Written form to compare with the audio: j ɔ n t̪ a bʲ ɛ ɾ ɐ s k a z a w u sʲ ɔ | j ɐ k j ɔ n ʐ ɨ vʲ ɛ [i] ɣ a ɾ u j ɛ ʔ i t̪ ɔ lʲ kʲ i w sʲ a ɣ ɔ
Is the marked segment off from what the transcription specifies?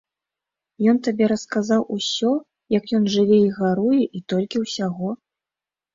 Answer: no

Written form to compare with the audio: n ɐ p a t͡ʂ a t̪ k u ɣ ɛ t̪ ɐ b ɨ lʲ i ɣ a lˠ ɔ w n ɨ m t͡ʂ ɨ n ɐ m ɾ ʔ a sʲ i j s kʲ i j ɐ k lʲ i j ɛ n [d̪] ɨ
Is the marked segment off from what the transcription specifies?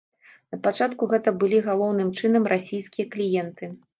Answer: yes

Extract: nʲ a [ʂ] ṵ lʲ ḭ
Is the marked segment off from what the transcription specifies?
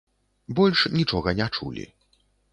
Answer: yes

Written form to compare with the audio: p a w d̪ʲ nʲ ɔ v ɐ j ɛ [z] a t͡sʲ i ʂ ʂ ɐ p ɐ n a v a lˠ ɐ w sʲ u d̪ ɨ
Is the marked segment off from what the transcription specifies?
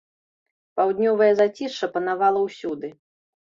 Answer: no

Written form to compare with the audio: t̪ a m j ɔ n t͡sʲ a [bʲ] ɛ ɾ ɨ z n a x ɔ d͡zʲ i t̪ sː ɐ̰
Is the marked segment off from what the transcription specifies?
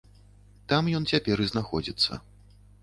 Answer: yes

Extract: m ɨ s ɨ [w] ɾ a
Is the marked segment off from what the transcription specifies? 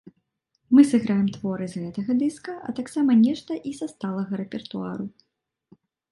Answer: yes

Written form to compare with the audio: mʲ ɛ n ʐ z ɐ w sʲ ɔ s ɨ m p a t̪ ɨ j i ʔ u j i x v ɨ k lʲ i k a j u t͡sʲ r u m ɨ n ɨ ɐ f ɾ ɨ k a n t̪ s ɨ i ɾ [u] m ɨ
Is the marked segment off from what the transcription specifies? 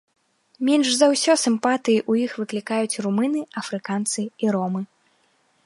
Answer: yes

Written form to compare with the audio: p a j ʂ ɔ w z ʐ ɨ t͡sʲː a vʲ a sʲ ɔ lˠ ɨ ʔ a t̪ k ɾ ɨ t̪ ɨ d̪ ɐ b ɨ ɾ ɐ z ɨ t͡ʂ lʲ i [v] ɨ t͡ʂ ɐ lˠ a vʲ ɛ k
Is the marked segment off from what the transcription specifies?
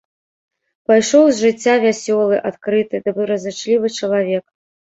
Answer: no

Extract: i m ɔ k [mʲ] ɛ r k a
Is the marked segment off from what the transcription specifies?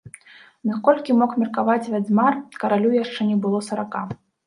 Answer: no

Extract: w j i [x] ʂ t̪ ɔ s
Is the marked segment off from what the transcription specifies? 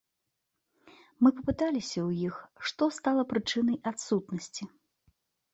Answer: no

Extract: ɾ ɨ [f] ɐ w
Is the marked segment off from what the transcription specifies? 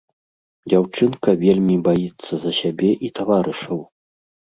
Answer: yes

